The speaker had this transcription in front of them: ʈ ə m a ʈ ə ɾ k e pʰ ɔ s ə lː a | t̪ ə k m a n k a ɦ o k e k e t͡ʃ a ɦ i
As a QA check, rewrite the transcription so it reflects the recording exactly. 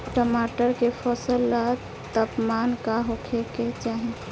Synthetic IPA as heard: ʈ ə m a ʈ ə ɾ k e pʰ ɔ s ə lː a | t̪ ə p m a n k a ɦ o kʰ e k e t͡ʃ a ɦ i